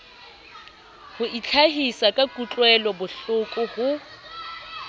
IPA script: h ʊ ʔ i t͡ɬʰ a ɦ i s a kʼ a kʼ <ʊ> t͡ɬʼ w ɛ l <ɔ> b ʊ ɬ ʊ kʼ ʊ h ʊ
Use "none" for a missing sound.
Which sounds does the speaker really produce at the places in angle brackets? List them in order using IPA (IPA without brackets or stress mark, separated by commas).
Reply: u, ɔ